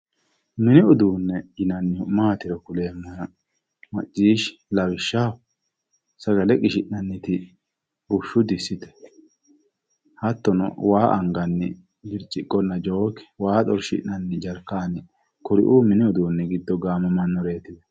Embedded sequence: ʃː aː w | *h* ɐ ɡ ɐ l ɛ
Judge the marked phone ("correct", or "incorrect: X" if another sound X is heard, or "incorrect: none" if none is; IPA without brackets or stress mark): incorrect: s